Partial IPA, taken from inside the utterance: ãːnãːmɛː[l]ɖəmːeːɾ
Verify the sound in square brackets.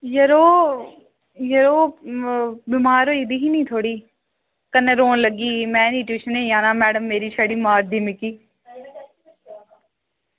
incorrect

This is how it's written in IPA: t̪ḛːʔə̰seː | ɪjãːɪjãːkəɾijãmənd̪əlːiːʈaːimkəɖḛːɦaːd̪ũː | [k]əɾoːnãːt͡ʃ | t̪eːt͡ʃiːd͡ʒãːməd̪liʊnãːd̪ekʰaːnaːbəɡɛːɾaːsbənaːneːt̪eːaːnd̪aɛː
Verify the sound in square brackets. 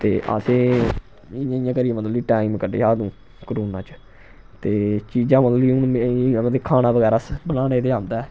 correct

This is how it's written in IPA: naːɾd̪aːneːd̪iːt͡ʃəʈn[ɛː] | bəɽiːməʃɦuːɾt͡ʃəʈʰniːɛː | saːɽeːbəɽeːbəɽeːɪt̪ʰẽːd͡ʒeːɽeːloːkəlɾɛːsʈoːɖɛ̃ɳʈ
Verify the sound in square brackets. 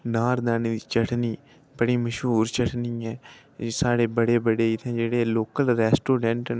incorrect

